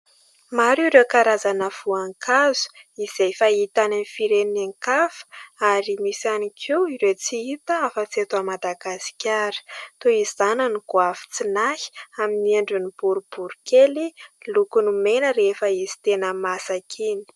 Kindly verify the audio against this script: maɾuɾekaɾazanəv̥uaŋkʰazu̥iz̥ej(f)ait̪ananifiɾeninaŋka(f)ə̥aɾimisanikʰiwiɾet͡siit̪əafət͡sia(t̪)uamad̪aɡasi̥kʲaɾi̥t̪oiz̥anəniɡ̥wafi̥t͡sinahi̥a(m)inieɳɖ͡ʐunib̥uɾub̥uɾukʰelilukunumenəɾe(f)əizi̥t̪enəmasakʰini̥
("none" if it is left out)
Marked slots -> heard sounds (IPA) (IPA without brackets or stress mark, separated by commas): f, f, t̪, m, f